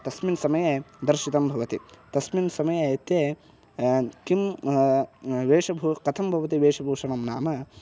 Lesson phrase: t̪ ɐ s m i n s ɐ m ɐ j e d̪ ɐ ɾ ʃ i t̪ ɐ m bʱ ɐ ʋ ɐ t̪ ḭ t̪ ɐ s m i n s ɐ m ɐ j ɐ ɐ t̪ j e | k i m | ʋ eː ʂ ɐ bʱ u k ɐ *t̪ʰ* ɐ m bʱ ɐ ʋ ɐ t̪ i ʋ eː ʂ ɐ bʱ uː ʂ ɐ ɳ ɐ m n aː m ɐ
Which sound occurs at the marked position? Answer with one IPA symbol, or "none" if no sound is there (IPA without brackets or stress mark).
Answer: t̪ʰ